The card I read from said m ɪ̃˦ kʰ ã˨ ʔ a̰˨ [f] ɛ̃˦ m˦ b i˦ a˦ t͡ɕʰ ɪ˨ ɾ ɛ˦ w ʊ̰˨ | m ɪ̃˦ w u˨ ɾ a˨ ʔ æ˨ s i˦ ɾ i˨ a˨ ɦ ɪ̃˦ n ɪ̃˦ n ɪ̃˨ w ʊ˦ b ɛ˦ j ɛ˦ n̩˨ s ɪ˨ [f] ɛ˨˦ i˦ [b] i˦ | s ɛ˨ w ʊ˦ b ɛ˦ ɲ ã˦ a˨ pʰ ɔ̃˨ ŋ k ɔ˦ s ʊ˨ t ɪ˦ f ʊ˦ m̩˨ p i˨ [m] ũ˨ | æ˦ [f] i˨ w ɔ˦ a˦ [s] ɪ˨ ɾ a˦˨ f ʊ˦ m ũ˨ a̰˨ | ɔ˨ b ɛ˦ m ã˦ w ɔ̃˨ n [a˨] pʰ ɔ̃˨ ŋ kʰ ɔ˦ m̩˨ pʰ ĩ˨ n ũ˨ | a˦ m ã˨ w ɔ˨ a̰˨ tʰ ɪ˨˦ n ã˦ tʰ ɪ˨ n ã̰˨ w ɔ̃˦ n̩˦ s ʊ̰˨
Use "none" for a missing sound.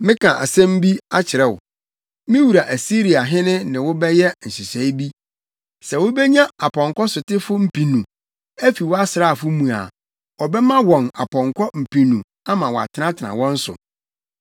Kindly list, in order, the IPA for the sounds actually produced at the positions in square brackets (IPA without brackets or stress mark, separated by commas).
s, s, b, n, f, s, a˨